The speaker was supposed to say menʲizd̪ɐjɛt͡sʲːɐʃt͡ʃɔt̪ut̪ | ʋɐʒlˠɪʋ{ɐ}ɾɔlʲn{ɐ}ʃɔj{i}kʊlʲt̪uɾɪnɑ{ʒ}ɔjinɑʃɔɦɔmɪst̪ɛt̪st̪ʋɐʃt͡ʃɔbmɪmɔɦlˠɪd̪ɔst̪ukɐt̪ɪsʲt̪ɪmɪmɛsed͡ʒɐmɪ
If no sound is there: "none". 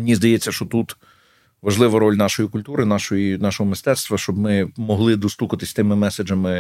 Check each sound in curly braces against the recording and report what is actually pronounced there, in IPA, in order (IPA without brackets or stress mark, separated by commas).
ɐ, ɑ, i, ʃ